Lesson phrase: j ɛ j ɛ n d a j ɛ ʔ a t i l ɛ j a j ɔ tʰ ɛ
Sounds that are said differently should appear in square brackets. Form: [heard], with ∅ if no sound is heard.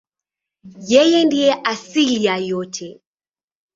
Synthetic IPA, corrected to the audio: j ɛ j ɛ n d [i] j ɛ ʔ a [s] i l [i] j a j ɔ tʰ ɛ